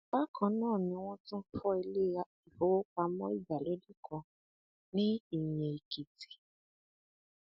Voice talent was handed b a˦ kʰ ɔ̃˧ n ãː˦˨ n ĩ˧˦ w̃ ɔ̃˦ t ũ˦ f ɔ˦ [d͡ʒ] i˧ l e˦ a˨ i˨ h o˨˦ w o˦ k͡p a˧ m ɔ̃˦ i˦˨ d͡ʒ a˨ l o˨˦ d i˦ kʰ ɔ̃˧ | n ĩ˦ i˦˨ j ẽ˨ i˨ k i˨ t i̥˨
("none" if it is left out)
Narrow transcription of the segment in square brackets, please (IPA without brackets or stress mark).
none